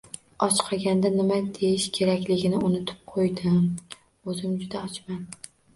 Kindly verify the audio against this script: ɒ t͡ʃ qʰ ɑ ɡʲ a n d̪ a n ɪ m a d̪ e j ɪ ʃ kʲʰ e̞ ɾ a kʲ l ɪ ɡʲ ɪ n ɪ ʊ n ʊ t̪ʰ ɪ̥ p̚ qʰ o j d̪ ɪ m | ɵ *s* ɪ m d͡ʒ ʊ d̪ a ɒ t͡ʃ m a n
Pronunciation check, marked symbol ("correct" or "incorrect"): incorrect